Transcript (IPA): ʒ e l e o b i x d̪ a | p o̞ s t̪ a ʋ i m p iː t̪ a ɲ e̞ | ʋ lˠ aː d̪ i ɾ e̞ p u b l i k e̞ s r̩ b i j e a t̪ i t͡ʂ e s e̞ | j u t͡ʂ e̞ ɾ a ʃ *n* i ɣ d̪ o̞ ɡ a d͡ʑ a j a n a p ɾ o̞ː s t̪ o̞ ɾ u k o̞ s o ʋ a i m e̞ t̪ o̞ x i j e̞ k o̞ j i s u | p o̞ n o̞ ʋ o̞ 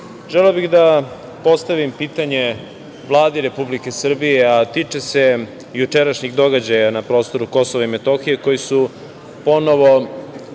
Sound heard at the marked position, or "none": ɲ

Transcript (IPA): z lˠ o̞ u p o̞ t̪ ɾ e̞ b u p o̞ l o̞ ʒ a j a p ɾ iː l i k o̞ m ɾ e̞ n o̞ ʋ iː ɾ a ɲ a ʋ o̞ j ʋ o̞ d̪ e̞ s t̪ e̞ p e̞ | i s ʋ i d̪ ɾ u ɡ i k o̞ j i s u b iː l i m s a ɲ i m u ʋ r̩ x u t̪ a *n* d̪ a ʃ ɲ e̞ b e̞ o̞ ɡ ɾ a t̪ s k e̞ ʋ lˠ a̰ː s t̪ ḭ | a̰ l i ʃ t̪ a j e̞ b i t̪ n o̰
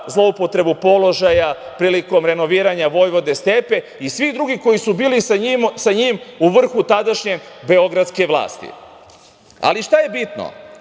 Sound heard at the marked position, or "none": none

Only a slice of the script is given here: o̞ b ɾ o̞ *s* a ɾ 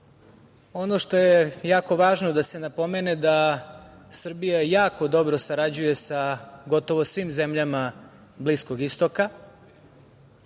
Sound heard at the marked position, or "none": s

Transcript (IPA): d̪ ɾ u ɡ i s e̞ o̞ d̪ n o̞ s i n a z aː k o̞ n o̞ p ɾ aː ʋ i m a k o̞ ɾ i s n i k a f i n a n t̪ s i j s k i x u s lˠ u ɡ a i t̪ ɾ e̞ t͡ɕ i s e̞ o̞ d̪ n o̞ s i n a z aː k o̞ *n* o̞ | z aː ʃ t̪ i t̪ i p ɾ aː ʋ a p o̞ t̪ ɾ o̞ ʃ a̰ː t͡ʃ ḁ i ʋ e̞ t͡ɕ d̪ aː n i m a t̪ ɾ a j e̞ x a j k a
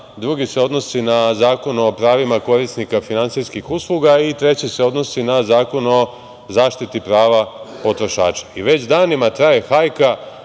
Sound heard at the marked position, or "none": n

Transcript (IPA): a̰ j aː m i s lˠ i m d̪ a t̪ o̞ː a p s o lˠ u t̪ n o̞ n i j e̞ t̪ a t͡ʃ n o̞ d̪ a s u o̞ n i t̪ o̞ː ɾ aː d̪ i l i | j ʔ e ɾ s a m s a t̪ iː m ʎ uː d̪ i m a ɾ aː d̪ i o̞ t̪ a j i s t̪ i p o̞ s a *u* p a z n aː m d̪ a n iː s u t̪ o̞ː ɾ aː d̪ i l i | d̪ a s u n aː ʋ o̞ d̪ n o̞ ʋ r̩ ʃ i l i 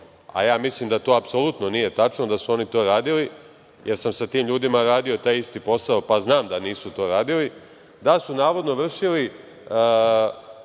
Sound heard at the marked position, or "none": o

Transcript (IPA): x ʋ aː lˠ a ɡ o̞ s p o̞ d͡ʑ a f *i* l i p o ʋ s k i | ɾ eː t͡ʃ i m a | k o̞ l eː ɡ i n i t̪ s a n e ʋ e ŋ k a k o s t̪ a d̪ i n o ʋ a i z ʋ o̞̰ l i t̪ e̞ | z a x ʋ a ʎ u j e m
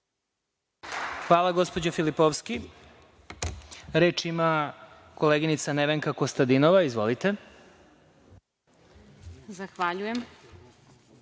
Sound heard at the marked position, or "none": i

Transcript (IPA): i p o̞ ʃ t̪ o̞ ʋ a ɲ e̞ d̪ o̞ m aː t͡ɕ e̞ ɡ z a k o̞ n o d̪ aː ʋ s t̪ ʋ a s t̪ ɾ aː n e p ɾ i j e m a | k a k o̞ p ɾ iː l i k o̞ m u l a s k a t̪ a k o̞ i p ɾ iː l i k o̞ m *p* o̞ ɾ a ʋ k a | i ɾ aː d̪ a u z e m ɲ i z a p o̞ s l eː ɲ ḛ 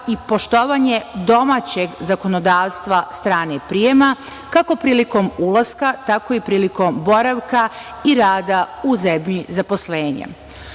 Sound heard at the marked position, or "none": b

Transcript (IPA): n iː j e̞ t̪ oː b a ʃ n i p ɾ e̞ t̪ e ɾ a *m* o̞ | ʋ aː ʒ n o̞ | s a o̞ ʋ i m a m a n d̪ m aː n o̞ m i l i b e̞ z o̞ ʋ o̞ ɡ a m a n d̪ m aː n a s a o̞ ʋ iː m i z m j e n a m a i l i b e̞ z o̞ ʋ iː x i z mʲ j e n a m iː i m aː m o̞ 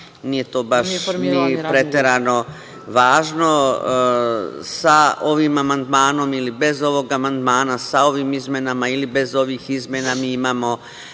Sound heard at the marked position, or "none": n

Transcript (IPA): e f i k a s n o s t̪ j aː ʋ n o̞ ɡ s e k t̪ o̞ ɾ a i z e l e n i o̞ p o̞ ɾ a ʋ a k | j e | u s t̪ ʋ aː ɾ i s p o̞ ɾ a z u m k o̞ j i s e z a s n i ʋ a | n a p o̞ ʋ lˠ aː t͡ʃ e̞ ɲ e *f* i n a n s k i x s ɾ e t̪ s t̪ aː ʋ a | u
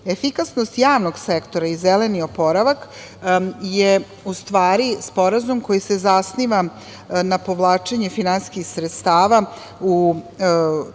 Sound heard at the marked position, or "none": f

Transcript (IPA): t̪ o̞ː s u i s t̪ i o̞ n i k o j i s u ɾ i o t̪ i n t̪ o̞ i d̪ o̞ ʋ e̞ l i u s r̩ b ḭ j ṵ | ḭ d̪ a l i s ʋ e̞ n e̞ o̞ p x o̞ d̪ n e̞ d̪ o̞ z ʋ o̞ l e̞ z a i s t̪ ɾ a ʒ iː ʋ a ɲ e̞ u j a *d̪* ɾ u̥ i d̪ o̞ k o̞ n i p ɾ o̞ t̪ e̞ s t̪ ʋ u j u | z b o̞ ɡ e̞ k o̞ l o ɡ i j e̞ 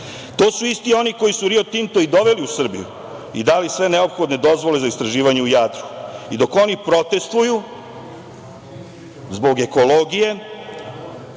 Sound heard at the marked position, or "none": d̪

